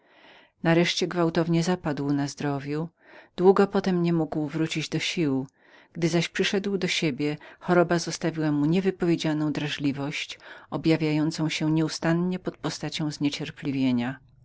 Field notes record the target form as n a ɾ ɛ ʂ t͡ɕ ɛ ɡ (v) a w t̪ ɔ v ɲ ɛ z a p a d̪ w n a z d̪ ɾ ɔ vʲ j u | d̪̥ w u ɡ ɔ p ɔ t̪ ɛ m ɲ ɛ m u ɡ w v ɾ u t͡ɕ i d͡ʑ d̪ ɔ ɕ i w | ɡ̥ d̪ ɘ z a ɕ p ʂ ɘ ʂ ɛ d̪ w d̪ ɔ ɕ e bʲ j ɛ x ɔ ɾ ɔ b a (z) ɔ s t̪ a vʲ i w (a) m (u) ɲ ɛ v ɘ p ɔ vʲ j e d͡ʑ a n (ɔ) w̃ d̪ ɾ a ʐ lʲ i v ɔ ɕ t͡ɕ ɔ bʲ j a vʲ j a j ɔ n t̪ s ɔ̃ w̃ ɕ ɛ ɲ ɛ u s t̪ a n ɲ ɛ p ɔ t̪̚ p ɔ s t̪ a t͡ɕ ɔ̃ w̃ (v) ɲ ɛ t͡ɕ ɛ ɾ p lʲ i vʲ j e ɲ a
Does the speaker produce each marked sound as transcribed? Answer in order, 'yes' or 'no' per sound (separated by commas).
yes, yes, yes, yes, no, no